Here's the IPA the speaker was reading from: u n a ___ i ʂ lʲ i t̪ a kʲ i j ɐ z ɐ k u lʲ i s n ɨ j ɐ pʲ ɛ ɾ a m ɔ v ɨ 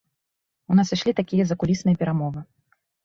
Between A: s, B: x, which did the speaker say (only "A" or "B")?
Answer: A